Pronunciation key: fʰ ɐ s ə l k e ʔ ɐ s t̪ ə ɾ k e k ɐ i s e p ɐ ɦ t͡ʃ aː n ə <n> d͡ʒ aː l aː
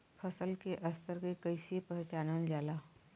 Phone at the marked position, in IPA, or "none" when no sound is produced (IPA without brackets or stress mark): n